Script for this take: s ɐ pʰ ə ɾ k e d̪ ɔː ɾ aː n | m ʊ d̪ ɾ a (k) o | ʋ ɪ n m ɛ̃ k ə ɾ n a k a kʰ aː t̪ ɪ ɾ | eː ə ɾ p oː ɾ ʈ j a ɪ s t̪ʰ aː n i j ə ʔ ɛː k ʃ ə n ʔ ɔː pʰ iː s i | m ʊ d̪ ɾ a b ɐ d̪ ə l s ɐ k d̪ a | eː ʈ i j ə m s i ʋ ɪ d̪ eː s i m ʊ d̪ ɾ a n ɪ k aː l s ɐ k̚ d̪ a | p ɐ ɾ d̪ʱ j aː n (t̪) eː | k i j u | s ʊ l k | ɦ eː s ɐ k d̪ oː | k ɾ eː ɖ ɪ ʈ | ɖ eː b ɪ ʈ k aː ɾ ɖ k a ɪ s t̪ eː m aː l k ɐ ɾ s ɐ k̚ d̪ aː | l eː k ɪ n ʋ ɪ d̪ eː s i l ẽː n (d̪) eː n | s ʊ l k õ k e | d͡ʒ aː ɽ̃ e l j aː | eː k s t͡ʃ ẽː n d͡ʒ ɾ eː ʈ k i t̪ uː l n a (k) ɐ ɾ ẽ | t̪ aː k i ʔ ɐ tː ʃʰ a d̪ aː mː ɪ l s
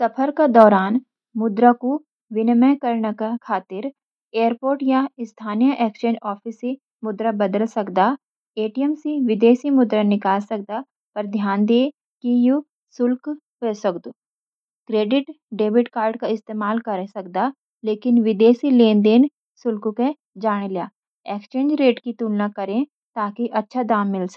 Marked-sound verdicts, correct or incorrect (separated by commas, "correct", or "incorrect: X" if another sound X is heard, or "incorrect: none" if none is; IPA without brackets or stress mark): correct, incorrect: d̪, correct, correct